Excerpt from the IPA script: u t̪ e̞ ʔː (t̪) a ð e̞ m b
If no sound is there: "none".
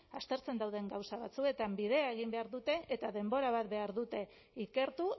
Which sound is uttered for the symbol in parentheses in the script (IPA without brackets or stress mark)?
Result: t̪